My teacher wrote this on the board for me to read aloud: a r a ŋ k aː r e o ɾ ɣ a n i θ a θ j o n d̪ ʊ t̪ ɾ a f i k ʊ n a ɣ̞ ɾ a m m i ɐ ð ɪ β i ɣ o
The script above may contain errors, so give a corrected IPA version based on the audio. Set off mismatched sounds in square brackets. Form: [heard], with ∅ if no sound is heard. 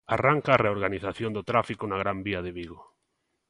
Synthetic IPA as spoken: a r a ŋ k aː r e o ɾ ɣ a n i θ a θ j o n d̪ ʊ t̪ ɾ a f i k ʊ n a ɣ̞ ɾ a m [b] i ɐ ð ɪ β i ɣ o